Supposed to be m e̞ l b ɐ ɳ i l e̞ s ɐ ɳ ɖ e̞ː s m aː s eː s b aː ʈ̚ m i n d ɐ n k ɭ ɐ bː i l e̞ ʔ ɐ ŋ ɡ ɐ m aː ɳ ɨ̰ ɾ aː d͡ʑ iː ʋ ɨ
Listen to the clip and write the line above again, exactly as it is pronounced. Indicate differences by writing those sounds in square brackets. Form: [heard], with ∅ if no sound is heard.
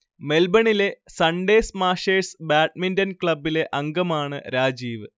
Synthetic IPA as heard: m e̞ l b ɐ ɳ i l e̞ s ɐ ɳ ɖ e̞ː s m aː [ʂ] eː s b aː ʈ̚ m i n d ɐ n k ɭ ɐ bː i l e̞ ʔ ɐ ŋ ɡ ɐ m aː ɳ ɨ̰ ɾ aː d͡ʑ iː ʋ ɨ